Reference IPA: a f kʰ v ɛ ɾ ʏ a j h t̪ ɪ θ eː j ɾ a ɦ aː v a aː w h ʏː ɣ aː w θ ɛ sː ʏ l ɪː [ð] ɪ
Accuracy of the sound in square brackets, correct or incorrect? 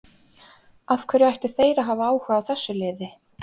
correct